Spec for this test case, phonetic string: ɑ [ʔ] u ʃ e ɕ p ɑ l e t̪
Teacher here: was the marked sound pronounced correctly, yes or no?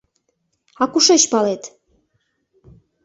no